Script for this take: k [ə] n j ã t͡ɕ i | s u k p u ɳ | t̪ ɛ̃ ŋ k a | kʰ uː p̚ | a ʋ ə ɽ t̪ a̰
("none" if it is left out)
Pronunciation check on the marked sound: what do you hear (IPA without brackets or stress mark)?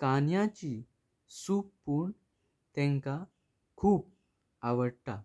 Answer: a